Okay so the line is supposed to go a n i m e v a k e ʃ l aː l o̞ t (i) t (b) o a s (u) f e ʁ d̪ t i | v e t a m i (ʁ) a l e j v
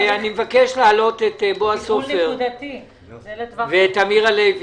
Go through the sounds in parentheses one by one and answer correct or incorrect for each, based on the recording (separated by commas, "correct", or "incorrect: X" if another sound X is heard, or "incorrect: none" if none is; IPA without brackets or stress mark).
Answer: incorrect: e, correct, incorrect: o, correct